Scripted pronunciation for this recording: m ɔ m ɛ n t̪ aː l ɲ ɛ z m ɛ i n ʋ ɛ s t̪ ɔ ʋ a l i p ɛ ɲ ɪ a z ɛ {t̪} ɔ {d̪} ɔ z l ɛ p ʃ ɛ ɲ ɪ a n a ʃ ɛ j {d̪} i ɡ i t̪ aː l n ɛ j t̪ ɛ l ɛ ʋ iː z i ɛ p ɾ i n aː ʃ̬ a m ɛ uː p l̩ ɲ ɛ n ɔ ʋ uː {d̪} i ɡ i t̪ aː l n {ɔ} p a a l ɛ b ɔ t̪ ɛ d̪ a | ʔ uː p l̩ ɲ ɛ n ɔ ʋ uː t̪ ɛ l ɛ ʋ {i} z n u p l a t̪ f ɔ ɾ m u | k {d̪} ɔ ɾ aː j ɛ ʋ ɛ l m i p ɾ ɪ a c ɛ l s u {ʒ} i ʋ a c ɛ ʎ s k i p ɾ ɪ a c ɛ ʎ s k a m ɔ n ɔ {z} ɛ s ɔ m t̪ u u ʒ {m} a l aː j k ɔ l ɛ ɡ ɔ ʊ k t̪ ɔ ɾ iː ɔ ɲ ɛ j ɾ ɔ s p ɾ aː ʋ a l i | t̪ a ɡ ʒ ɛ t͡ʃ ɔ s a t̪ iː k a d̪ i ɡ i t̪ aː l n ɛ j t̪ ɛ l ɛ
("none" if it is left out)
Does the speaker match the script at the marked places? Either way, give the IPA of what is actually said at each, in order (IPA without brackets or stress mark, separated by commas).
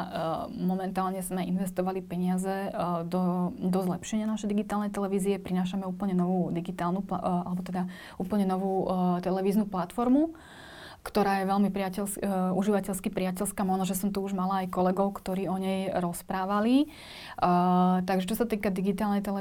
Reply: d̪, d̪, d̪, d̪, u, iː, t̪, ʒ, ʒ, m